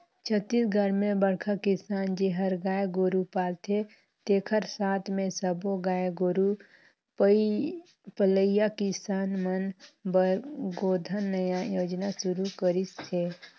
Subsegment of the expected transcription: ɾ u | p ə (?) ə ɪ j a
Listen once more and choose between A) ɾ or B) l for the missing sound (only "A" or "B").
B